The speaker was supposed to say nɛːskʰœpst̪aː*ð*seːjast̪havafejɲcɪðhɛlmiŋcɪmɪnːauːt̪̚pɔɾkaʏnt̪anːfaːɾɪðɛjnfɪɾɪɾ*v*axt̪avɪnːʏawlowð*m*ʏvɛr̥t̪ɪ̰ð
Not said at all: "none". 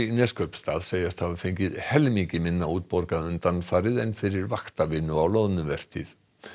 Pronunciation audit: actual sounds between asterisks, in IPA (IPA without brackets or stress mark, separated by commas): ð, v, n